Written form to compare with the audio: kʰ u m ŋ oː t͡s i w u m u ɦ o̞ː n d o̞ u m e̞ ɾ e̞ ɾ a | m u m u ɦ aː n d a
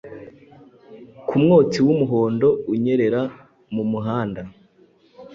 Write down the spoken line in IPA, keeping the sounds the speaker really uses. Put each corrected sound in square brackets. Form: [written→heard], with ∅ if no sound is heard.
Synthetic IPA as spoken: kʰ u m ŋ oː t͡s i w u m u ɦ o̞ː n d o̞ u [m→ɲ] e̞ ɾ e̞ ɾ a | m u m u ɦ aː n d a